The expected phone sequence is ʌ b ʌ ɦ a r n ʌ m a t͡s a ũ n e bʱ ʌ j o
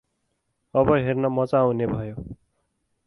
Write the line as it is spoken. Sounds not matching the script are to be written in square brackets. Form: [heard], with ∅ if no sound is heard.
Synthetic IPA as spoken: ʌ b ʌ ɦ [e] r n ʌ m [ʌ] t͡s a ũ n e bʱ ʌ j o